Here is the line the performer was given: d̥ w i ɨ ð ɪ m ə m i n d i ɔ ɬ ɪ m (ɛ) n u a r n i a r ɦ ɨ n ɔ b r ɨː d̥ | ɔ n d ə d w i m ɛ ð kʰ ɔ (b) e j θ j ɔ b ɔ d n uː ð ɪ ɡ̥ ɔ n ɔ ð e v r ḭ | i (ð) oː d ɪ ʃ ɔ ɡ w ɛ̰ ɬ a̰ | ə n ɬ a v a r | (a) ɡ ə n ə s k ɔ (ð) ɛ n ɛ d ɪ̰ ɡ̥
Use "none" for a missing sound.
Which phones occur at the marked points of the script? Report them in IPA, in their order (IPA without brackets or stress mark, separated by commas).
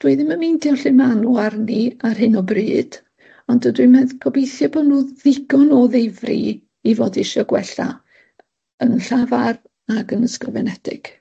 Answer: a, b, v, a, v